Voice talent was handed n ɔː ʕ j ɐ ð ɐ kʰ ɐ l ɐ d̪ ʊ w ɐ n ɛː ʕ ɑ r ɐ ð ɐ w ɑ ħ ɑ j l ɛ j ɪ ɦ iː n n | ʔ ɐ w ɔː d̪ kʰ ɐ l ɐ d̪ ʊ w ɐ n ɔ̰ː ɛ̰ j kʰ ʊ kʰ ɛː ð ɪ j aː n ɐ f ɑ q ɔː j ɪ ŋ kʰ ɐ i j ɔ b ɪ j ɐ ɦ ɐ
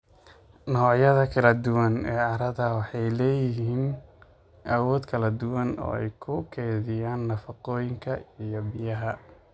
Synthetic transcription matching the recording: n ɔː ʕ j ɐ ð ɐ kʰ ɐ l ɐ d̪ ʊ w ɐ n ɛː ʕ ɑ ɾ ɐ ð ɐ w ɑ ħ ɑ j l ɛː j ɪ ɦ iː n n | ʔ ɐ w ɔː d̪ kʰ ɐ l ɐ d̪ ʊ w ɐ n ɔ̰ː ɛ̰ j kʰ ʊ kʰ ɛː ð ɪ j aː nː ɐ f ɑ q ɔː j ɪ ŋ kʰ ɐ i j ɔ b ɪ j ɐ ɦ ɐ